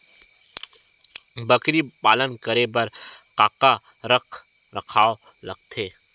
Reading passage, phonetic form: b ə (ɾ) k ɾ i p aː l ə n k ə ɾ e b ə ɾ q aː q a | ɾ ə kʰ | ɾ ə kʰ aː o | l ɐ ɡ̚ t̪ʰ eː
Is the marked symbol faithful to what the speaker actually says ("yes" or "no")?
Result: no